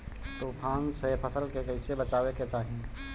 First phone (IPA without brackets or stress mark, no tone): t̪